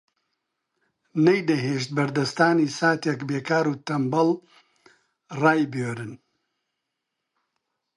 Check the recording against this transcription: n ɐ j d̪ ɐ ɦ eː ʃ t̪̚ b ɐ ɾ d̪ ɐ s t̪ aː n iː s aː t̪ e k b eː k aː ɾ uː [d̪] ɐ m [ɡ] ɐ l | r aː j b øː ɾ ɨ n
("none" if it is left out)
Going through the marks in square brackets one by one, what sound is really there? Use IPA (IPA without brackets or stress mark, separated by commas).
t̪, b